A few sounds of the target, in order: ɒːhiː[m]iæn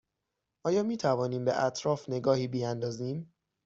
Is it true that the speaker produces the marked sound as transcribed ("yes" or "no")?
no